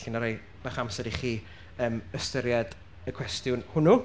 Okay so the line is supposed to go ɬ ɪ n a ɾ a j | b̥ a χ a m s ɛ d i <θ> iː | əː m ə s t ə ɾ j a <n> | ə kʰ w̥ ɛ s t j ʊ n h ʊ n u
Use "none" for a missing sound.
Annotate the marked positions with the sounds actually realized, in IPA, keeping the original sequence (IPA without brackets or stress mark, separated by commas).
χ, d